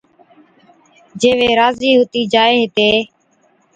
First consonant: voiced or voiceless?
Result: voiced